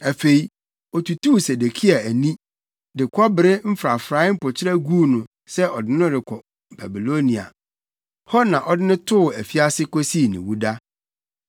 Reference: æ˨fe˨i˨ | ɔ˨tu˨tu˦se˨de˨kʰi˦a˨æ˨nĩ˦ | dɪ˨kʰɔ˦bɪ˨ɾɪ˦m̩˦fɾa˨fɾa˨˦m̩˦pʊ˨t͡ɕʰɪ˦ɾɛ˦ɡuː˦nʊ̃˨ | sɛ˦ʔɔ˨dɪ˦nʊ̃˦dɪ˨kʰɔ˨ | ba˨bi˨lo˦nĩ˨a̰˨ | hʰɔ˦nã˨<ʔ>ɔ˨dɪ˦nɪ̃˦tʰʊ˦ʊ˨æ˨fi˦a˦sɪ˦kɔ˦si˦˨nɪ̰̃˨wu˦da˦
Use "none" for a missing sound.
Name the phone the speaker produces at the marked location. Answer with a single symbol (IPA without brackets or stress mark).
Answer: ʔ